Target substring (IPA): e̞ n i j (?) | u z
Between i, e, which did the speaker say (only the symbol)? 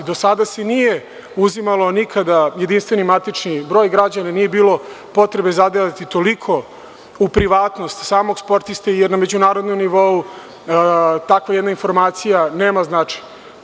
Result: e